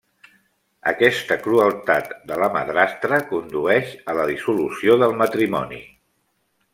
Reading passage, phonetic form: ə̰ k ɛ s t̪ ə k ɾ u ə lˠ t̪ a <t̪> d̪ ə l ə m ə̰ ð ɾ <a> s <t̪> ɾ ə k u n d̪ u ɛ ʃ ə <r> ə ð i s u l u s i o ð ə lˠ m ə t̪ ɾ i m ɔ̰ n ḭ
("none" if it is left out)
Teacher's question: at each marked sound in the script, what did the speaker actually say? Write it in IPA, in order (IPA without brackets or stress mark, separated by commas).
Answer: t̪, a, t̪, l